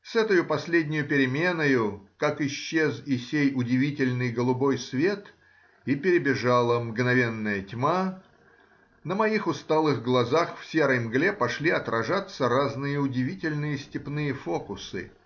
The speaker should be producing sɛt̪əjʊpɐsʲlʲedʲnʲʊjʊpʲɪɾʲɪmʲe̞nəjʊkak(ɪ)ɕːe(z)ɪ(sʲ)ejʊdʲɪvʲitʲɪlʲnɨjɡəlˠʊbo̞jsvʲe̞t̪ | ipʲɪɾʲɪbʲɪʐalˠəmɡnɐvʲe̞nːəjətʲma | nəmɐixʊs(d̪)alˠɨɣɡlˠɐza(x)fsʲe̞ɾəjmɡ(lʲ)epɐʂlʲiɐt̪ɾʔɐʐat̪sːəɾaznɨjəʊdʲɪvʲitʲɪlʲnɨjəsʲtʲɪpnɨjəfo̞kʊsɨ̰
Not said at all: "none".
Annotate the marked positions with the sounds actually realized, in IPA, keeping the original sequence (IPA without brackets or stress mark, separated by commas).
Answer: ɪ, z, sʲ, t̪, x, lʲ